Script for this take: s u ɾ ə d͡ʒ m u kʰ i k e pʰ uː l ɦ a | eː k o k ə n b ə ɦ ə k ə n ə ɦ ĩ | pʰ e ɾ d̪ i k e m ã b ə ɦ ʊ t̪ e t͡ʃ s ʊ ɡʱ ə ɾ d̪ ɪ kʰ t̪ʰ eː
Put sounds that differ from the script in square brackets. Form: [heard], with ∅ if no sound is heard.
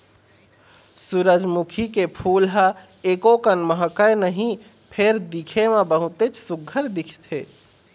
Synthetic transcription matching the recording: s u ɾ ə d͡ʒ m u kʰ i k e pʰ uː l ɦ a | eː k o k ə n [m] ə ɦ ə k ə n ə ɦ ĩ | pʰ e ɾ d̪ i [kʰ] e m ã b ə ɦ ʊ t̪ e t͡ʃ s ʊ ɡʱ ə ɾ d̪ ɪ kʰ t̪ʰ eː